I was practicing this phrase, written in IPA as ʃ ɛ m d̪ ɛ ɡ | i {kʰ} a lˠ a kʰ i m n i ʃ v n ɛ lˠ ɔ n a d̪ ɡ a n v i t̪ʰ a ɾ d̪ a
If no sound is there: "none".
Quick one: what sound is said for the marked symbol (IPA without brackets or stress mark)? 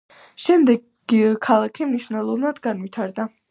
kʰ